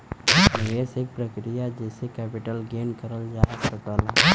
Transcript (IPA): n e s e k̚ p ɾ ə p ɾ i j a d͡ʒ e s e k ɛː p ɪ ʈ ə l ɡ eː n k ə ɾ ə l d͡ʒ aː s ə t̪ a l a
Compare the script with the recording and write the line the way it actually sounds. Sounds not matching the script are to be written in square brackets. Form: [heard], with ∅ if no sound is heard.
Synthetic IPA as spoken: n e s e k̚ p ɾ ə [k] ɾ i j a d͡ʒ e s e k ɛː p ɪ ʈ ə l ɡ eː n k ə ɾ ə l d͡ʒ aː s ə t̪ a l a

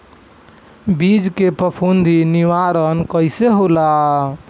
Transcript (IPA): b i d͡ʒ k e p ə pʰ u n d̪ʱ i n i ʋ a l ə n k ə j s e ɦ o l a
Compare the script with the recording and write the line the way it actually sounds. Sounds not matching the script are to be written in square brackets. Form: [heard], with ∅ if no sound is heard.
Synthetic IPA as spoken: b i d͡ʒ k e p ə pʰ u n d̪ʱ i n i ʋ a [ɾ] ə n k ə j s e ɦ o l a

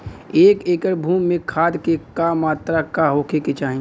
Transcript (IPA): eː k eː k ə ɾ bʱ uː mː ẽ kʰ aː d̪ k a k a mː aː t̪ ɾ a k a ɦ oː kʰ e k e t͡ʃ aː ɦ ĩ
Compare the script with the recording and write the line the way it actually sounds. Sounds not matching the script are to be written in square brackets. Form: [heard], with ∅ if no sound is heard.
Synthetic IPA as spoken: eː k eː k ə ɾ bʱ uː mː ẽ kʰ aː d̪ k [e] k a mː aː t̪ ɾ a k a ɦ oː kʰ e k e t͡ʃ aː ɦ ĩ

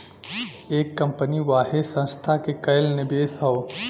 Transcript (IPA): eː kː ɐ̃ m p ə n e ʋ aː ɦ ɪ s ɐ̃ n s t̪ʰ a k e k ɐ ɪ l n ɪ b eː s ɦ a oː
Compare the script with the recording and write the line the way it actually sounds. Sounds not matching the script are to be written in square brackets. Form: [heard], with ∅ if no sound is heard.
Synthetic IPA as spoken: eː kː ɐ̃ m p ə n [i] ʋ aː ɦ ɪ s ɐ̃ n s t̪ʰ a k e k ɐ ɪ l n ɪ b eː s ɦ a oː

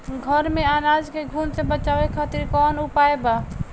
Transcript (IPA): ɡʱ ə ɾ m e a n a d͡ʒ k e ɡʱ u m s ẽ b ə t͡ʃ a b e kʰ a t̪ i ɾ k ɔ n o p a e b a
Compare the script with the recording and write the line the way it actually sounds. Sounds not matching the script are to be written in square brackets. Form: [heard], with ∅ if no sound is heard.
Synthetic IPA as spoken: ɡʱ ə ɾ m e a n a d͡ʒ k e ɡʱ u [n] s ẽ b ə t͡ʃ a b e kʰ a t̪ i ɾ k ɔ n [u] p a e b a

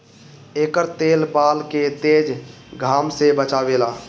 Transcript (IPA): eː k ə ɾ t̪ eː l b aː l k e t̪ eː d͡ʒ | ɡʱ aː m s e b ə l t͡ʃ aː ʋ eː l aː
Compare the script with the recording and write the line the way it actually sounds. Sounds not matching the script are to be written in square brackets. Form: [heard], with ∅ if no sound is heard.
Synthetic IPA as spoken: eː k ə ɾ t̪ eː l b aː l k e t̪ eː d͡ʒ | ɡʱ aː m s e b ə [∅] t͡ʃ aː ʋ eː l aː

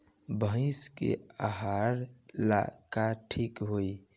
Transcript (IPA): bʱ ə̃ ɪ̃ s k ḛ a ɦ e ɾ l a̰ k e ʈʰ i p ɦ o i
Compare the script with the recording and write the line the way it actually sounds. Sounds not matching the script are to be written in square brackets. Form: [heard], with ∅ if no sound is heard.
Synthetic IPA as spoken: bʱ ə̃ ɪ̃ s k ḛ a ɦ [a] ɾ l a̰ k [a] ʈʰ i [k] ɦ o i

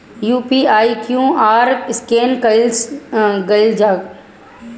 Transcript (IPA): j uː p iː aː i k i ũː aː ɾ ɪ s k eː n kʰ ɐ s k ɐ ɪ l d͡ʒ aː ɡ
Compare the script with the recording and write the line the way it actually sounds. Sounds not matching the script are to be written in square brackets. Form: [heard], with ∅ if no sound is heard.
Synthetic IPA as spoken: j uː p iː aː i k [j] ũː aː ɾ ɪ s k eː n [k] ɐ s [ɡ] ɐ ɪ l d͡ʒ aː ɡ

